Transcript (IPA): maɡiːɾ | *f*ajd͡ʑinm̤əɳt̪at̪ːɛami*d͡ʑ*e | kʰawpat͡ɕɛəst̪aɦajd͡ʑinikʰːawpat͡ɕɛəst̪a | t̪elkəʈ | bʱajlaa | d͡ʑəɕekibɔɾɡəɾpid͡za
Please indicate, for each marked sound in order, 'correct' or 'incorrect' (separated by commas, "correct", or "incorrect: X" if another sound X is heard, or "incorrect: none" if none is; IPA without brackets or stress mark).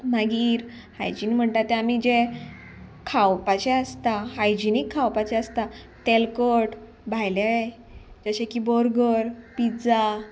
incorrect: h, correct